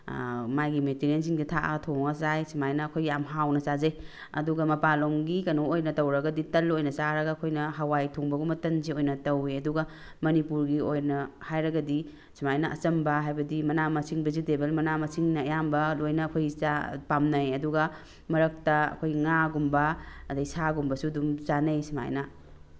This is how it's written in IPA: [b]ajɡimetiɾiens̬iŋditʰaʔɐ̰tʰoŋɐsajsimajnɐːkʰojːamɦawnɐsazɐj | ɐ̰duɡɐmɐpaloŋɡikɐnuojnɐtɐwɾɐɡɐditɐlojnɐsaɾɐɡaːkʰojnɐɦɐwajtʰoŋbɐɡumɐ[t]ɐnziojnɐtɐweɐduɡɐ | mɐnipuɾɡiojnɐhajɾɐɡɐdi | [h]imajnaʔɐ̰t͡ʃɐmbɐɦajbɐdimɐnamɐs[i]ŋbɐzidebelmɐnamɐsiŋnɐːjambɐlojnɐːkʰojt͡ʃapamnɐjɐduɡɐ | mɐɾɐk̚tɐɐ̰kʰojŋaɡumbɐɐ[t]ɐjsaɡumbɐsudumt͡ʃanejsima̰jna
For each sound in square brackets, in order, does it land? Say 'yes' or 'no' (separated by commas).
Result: no, yes, no, yes, no